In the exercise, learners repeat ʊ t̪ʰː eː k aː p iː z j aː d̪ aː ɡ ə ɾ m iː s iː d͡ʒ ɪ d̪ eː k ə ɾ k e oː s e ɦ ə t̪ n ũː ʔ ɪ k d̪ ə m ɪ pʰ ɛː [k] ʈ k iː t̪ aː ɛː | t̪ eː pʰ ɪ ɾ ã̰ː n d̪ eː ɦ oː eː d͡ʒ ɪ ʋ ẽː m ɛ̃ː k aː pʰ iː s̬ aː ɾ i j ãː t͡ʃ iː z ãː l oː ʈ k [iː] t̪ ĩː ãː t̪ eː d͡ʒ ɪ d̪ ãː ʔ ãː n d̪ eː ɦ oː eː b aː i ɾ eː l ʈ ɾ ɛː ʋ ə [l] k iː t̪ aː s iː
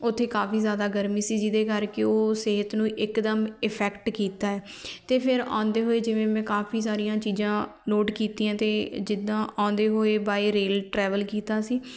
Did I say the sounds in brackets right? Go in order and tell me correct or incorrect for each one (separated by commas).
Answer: correct, correct, correct